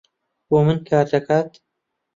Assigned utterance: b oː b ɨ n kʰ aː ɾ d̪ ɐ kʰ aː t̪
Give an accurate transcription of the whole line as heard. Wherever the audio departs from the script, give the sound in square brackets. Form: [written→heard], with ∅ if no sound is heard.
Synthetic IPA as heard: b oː [b→m] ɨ n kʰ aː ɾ d̪ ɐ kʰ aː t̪